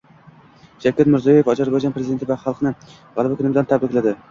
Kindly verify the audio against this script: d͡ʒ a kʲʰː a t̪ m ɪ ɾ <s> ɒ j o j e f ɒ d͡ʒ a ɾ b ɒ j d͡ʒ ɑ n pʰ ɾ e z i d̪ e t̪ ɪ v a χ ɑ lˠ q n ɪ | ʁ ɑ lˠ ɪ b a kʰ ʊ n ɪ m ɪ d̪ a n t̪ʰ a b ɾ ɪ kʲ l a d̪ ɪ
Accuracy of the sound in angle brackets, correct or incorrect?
incorrect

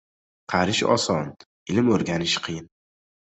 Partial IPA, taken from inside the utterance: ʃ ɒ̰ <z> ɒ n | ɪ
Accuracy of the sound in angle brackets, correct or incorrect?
incorrect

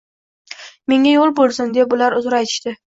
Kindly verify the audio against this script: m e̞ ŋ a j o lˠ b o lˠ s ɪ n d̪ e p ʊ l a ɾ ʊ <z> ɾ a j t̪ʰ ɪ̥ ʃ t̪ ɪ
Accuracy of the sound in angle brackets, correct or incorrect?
correct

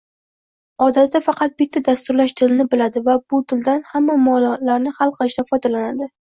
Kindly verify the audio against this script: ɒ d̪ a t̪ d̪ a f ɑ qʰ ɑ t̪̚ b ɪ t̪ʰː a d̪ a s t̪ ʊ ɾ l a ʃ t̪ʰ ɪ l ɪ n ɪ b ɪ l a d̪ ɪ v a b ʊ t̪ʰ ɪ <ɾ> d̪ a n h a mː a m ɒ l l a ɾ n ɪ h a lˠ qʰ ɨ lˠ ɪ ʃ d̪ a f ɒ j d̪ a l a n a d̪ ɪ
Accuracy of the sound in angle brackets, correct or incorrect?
incorrect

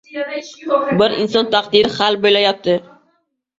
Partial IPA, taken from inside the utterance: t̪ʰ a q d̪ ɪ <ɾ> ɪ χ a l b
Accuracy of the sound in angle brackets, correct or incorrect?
correct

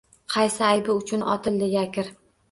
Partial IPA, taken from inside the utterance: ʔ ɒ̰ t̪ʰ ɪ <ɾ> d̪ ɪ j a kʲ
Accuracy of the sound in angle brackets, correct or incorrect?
incorrect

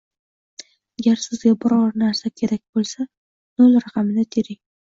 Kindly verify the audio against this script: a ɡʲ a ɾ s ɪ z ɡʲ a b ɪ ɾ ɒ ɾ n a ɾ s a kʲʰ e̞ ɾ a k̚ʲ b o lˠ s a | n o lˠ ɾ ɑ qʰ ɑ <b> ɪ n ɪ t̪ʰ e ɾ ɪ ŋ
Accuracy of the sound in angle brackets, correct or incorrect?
incorrect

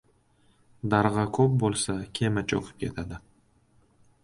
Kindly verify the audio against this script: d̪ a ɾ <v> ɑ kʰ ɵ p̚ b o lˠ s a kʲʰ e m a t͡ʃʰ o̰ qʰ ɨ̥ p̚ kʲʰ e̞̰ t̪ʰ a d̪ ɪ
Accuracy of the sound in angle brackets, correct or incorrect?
incorrect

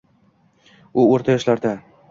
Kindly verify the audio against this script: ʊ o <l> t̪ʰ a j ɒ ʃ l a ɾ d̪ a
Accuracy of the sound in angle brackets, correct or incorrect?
incorrect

